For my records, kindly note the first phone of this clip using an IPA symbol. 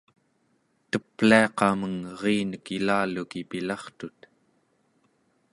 t̪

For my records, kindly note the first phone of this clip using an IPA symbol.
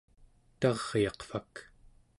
t̪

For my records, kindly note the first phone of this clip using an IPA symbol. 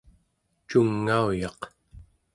t͡ʃ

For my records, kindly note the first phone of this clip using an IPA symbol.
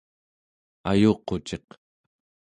a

